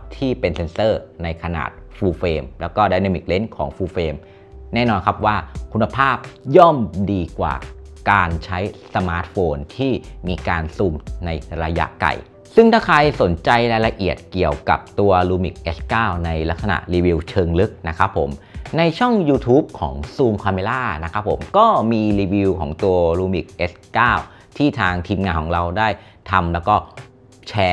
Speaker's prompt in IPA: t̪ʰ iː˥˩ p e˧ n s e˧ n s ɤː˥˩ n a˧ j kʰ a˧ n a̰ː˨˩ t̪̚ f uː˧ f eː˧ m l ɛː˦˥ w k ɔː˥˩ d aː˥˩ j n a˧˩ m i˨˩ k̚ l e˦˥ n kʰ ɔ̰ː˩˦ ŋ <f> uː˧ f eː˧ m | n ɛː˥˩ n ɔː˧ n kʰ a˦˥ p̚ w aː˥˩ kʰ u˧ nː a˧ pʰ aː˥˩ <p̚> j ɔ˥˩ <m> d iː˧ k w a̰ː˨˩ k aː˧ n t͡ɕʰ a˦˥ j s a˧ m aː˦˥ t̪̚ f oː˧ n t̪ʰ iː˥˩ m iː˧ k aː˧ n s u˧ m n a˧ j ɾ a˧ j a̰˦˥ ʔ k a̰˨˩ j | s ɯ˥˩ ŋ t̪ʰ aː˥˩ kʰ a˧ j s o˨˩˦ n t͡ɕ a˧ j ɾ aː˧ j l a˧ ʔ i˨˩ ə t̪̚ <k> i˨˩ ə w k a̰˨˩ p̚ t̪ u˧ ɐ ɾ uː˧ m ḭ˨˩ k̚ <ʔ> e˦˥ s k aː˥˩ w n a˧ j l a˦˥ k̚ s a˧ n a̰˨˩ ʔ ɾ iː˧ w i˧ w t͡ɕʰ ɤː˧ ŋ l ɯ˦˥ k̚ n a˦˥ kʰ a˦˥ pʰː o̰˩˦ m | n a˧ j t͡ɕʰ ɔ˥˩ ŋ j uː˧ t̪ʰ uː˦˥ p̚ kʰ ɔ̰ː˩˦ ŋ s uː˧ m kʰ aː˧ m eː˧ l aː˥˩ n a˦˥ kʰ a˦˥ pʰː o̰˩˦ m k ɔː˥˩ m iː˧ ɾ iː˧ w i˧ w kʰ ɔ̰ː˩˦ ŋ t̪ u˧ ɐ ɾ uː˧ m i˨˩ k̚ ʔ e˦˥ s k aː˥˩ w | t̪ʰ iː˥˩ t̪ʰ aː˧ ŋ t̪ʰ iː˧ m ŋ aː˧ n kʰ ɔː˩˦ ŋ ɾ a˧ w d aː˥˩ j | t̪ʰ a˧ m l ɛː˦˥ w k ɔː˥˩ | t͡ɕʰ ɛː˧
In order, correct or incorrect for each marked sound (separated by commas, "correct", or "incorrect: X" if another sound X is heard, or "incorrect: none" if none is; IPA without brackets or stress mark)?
correct, correct, correct, correct, correct